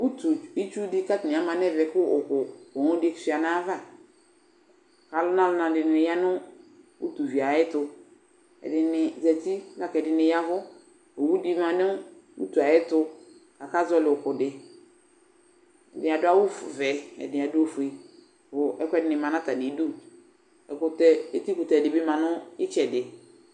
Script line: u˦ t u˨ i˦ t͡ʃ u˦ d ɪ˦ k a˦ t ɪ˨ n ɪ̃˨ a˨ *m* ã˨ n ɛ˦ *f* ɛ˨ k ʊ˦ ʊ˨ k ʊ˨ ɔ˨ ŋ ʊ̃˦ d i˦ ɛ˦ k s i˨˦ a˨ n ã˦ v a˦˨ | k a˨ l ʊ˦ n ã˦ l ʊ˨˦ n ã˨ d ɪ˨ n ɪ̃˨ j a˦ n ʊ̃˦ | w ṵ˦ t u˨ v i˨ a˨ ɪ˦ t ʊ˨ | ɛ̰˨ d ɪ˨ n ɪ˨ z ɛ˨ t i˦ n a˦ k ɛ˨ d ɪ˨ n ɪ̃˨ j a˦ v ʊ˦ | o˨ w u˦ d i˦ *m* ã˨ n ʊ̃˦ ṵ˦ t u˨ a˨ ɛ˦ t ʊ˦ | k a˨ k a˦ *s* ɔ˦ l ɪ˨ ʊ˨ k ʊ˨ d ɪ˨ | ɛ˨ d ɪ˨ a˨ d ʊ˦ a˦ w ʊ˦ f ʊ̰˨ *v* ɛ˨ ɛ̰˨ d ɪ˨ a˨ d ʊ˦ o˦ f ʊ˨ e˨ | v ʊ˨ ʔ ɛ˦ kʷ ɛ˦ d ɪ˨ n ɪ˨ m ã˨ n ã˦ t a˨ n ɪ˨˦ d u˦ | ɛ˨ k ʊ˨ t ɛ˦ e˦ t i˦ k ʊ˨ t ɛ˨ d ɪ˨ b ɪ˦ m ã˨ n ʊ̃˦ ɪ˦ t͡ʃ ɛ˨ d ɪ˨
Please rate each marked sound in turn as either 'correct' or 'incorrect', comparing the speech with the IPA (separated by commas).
correct, incorrect, correct, incorrect, correct